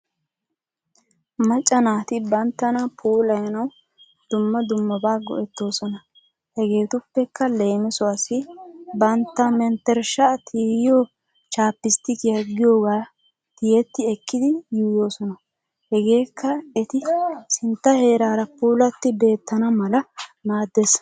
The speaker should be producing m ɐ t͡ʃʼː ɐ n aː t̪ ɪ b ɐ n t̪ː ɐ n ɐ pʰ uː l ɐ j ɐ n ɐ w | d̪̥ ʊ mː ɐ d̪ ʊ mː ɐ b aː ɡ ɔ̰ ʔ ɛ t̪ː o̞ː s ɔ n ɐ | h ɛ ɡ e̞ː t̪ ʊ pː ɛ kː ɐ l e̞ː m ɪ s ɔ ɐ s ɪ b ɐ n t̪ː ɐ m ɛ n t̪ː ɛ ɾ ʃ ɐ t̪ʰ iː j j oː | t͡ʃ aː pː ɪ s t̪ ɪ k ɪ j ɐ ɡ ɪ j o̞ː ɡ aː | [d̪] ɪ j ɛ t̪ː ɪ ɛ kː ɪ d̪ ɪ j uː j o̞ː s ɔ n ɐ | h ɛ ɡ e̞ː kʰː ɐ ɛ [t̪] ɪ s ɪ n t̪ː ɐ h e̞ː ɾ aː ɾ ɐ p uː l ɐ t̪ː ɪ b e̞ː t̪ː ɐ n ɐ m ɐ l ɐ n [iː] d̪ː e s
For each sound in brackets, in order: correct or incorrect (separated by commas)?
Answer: incorrect, correct, incorrect